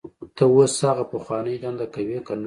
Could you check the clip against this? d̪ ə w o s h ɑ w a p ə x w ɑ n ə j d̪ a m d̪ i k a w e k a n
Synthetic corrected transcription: t̪ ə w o s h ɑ ɣ a p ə x w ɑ n ə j d̪ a n d̪ a k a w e k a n

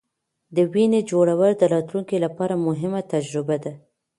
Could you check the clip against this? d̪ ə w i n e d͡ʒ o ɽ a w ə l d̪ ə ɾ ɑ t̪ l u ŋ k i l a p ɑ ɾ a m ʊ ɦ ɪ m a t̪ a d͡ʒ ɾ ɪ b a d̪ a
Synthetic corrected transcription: d̪ ə w i n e d͡ʒ o ɽ a w ə l d̪ ə ɾ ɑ t̪ l u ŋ k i l a p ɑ ɾ a m ʊ ɦ ɪ m a t̪ a d͡ʒ ɾ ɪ b a d̪ a

